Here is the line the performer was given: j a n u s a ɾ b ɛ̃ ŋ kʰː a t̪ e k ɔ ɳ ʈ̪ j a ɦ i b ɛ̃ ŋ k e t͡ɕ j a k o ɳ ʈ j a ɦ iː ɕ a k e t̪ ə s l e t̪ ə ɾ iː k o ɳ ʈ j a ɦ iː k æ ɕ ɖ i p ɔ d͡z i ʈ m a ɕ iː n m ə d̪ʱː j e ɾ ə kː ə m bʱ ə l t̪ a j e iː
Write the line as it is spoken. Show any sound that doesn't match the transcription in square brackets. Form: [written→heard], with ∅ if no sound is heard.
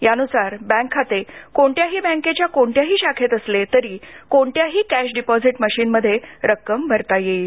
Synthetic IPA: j a n u s a ɾ b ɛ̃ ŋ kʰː a t̪ e k [ɔ→o] ɳ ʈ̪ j a ɦ [i→iː] b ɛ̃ ŋ k e t͡ɕ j a k o ɳ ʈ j a ɦ iː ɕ a [k→kʰ] e t̪ ə s l e t̪ ə ɾ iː k o ɳ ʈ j a ɦ iː k æ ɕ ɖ i p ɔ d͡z i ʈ m [a→ə] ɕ iː n m ə d̪ʱː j e ɾ ə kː ə m bʱ ə [l→ɾ] t̪ a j e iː